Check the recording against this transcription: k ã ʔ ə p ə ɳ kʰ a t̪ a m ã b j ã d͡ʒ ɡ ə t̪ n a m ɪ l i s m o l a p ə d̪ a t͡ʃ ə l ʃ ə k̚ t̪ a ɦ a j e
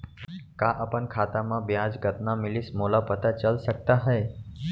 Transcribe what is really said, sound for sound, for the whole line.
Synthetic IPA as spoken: k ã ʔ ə p ə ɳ kʰ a t̪ a m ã b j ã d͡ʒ ɡ ə t̪ n a m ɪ l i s m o l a p ə t̪ a t͡ʃ ə l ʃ ə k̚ t̪ a ɦ ə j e